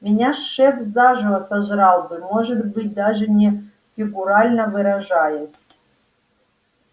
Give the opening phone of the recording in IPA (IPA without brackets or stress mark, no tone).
mʲ